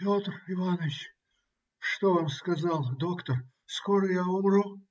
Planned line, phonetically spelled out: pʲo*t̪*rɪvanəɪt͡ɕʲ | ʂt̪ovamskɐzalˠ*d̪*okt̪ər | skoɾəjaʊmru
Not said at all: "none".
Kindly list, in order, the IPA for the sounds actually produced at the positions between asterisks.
t̪, d̪

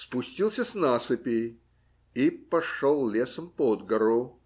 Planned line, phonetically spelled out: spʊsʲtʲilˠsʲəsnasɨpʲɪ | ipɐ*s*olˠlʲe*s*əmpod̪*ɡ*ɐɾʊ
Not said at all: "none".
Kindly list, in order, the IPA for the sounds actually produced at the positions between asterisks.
ʂ, s, ɡ

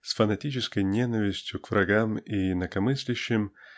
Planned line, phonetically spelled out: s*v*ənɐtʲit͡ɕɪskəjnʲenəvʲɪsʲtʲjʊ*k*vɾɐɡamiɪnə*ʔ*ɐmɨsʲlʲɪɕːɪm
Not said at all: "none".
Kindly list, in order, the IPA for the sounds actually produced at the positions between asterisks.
f, k, k

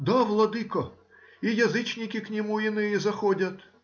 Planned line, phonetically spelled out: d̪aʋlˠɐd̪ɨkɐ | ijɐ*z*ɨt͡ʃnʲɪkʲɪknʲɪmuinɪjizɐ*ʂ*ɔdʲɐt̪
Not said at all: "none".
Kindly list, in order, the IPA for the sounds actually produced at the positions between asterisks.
z, x

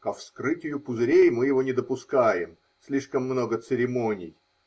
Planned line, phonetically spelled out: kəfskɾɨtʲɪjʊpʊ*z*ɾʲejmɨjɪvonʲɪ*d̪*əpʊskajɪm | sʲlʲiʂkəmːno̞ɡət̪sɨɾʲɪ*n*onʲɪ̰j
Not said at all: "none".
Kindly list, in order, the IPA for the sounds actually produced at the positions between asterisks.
z, d̪, m

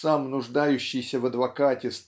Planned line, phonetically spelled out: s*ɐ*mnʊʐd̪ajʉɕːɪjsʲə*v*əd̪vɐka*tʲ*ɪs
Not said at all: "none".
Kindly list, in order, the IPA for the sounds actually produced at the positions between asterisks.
a, v, tʲ

